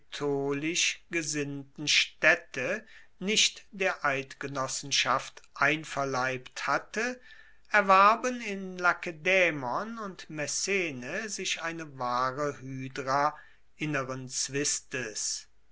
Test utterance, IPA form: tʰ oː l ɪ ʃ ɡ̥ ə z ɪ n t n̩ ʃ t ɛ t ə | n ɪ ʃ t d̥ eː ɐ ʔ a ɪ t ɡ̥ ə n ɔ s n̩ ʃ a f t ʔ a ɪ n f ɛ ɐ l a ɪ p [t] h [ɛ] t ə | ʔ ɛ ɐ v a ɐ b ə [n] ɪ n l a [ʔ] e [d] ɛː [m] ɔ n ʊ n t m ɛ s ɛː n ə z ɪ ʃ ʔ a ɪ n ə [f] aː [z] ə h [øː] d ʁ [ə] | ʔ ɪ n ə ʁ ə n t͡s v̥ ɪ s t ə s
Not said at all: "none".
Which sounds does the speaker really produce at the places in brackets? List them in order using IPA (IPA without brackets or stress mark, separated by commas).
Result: t, a, n, k, d, m, v, ʁ, yː, a